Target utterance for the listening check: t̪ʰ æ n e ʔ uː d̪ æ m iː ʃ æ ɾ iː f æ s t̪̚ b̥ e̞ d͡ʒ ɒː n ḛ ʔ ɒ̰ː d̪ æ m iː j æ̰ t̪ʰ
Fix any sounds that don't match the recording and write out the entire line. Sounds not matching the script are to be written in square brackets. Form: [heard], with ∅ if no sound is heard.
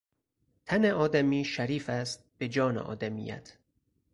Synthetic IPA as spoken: t̪ʰ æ n e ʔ [ɒː] d̪ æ m iː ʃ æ ɾ iː f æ s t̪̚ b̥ e̞ d͡ʒ ɒː n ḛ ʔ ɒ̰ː d̪ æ m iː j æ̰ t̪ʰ